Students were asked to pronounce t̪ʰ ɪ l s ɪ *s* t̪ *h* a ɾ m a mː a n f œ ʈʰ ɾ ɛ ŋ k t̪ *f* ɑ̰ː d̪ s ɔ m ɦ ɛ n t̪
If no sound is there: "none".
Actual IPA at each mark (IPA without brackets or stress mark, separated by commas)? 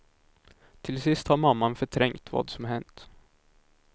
s, h, v